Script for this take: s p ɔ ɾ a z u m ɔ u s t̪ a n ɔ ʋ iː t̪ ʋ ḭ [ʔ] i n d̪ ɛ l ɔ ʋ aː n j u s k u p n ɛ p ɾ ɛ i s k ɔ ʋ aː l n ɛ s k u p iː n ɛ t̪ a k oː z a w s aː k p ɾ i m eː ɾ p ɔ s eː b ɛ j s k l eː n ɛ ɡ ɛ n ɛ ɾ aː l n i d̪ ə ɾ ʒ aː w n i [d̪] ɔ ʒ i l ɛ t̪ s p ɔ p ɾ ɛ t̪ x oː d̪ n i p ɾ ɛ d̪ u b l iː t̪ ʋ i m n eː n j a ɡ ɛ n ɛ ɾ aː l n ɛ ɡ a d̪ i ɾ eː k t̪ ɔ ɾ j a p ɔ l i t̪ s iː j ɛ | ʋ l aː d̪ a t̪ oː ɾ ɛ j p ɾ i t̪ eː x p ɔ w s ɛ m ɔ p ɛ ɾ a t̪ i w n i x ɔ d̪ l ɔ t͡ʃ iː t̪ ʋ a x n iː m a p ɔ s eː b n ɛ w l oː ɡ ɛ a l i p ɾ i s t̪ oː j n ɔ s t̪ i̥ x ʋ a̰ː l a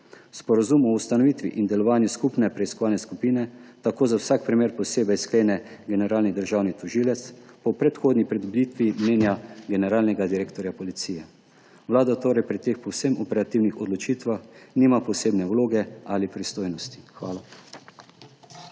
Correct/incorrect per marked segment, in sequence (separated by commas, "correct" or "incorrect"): correct, incorrect